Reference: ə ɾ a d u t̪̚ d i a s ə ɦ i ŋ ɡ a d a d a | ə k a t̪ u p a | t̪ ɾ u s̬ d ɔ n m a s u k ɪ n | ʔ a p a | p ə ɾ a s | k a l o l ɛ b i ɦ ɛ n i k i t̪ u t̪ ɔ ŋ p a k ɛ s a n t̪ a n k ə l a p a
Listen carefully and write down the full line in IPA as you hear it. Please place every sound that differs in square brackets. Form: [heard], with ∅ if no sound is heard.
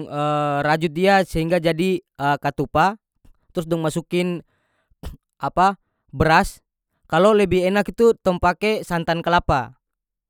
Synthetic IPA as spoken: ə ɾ a [d͡ʒ] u t̪̚ d i a s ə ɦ i ŋ ɡ a [d͡ʒ] a d [i] | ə k a t̪ u p a | t̪ ɾ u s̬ d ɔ [ŋ] m a s u k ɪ n | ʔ a p a | [b] ə ɾ a s | k a l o l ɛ b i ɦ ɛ n [a] k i t̪ u t̪ ɔ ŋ p a k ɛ s a n t̪ a n k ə l a p a